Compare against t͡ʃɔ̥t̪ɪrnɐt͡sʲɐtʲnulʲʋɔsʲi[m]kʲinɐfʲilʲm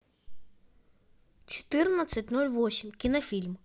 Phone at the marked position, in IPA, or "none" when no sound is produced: m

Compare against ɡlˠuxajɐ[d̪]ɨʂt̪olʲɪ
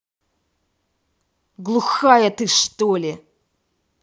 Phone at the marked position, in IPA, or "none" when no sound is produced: t̪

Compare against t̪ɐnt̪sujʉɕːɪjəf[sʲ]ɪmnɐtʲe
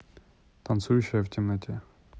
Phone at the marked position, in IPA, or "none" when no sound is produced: tʲ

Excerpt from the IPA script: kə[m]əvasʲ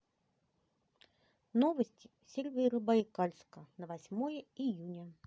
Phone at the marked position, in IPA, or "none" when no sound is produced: n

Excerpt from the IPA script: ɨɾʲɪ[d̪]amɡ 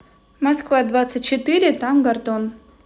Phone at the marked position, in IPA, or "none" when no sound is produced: t̪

